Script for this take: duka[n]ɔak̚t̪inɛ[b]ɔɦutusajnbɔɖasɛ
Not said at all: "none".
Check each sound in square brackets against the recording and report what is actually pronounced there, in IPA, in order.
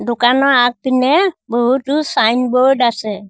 n, b

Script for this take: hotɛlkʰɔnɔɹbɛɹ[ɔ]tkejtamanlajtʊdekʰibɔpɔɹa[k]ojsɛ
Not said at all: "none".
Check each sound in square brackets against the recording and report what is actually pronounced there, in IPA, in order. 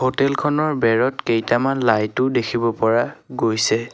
ɔ, ɡ

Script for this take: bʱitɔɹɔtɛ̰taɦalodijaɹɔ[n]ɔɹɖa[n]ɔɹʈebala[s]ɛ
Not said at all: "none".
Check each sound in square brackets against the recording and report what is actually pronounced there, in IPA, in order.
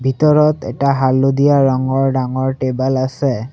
ŋ, ŋ, s

